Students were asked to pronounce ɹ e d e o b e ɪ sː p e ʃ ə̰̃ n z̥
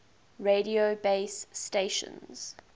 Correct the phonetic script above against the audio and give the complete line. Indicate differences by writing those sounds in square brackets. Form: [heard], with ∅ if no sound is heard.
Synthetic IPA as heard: ɹ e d [i] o b e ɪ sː [t] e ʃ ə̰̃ n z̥

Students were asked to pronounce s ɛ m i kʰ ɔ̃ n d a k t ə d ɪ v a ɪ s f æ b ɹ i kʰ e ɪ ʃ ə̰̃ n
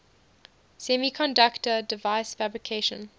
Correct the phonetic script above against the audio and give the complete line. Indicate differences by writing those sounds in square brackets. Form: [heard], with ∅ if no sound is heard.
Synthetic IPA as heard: s ɛ m i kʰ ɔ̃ n d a k t ə d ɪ v a ɪ s f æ b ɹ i kʰ e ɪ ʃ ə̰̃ n

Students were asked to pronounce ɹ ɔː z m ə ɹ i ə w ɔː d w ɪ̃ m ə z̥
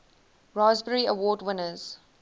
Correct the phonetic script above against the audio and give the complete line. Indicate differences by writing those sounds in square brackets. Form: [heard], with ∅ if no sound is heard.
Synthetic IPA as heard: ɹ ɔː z [b] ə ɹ i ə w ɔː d w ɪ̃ [n] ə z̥

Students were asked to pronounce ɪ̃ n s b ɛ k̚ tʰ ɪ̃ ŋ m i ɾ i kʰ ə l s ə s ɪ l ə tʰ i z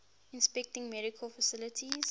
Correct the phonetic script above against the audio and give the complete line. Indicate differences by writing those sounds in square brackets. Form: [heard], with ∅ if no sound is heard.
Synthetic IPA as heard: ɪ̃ n s [p] ɛ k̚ [t] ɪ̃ ŋ m [ɛ] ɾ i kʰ ə l [f] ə s ɪ l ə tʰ i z

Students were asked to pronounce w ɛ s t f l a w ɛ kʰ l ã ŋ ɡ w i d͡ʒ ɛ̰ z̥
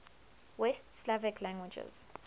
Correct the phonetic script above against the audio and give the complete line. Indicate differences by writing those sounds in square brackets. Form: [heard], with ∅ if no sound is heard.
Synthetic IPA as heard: w ɛ s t [s] l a [v] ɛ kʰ l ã ŋ ɡ w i d͡ʒ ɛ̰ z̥

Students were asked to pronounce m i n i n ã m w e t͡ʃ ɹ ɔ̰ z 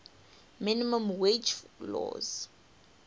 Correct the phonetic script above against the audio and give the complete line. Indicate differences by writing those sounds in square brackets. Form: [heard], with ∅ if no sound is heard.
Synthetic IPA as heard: m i n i [m] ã m w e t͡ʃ [l] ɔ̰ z

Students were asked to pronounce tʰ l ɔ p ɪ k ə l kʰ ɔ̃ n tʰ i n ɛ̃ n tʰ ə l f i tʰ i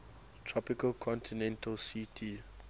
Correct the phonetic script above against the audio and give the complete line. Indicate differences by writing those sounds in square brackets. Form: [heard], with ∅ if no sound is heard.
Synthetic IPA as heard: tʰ [ɹ] ɔ p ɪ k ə l kʰ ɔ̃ n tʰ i n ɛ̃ n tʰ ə l [s] i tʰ i

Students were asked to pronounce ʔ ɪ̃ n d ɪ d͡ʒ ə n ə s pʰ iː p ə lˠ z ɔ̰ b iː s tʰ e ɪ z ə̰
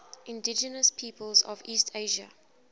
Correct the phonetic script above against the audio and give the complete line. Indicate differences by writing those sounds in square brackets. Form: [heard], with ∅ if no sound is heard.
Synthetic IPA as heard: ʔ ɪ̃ n d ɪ d͡ʒ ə n ə s pʰ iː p ə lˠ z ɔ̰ [v] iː s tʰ e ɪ [ʒ] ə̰

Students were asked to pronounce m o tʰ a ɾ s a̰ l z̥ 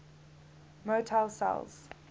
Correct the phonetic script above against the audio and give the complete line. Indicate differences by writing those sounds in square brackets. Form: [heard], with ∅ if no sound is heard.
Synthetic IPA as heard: m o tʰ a [l] s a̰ l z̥

